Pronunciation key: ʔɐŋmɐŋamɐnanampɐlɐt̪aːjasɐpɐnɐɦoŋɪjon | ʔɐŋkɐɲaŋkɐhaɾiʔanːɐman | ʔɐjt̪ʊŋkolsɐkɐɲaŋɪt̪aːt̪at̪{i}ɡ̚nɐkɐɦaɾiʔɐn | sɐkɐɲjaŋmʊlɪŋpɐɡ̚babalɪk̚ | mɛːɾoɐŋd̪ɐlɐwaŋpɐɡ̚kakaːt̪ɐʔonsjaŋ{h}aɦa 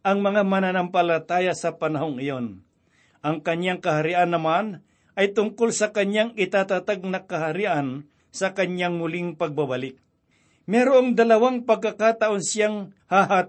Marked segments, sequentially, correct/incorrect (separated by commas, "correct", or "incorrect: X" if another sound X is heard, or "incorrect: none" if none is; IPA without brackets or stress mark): incorrect: a, correct